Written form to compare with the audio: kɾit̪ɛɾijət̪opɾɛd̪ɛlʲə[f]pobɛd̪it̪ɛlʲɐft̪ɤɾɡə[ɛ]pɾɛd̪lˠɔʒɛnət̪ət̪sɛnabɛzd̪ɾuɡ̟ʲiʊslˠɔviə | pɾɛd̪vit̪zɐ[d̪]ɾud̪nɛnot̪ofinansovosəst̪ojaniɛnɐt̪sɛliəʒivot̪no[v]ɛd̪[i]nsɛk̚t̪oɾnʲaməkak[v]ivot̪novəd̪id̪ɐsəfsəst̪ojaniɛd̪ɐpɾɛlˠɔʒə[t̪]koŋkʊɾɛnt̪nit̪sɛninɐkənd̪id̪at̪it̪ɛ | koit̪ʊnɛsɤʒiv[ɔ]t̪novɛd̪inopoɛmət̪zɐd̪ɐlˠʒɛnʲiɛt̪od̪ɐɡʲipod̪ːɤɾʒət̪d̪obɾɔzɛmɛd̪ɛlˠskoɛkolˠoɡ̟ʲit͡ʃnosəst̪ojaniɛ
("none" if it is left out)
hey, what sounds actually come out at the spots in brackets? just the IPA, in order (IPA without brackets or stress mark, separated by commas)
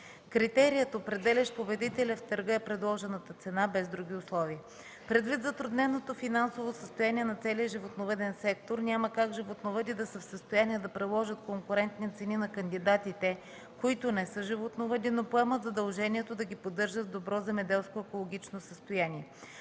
ʃ, ɛ, t̪, v, ɛ, ʒ, t̪, o